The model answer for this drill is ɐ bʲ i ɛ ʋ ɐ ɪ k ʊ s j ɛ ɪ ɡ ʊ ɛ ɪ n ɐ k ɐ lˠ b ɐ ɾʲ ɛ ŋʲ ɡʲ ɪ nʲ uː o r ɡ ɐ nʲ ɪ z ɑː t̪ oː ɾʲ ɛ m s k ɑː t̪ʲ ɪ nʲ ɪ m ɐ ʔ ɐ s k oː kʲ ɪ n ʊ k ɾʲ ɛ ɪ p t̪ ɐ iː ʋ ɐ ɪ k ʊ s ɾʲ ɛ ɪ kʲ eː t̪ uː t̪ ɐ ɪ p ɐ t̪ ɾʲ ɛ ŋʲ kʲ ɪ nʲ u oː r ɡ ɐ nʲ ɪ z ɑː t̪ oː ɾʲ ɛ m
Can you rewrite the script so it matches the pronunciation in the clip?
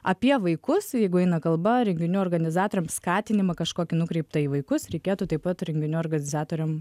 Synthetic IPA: ɐ pʲ i ɛ ʋ ɐ ɪ k ʊ s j ɛ ɪ ɡ ʊ ɛ ɪ n ɐ k ɐ lˠ b ɐ ɾʲ ɛ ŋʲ ɡʲ ɪ nʲ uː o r ɡ ɐ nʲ ɪ z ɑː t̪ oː ɾʲ ɛ m s k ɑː t̪ʲ ɪ nʲ ɪ m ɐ k ɐ ʃ k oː kʲ ɪ n ʊ k ɾʲ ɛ ɪ p t̪ ɐ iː ʋ ɐ ɪ k ʊ s ɾʲ ɛ ɪ kʲ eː t̪ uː t̪ ɐ ɪ p ɐ t̪ ɾʲ ɛ ŋʲ ɡʲ ɪ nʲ u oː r ɡ ɐ nʲ ɪ z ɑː t̪ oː ɾʲ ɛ m